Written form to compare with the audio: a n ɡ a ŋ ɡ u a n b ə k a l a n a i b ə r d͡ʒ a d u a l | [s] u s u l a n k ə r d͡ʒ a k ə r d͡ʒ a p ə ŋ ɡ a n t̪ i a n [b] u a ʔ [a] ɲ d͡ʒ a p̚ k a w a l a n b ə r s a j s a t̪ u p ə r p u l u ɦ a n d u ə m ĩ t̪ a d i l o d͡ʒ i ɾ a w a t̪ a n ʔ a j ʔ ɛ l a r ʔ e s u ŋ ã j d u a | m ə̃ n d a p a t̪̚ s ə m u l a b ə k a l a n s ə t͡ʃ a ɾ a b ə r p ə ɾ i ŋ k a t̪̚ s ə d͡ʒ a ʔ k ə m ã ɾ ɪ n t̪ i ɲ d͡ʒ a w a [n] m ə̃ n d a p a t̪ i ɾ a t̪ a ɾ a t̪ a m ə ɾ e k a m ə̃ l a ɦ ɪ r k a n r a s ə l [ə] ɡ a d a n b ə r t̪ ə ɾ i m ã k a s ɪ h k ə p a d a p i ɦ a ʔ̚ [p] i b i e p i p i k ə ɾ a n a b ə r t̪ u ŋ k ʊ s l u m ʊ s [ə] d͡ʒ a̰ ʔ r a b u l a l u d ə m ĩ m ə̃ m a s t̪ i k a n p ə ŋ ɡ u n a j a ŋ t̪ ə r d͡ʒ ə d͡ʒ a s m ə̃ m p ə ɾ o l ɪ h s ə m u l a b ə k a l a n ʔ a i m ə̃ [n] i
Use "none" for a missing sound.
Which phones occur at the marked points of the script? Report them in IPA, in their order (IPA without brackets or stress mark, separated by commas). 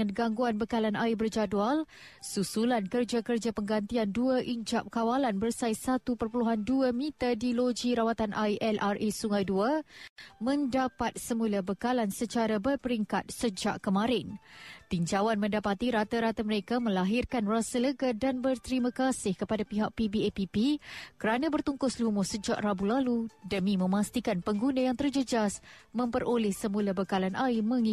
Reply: s, d, i, n, ə, p, ə, ŋ